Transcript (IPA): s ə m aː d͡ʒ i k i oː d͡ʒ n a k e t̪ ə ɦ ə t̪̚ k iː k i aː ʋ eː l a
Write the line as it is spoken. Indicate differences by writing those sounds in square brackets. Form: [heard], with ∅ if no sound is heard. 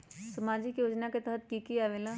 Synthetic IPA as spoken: s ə m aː d͡ʒ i k [j] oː d͡ʒ n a k e t̪ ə ɦ ə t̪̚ k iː k i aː ʋ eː l a